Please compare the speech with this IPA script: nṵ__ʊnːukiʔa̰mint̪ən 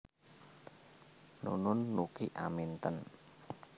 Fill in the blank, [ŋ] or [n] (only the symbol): n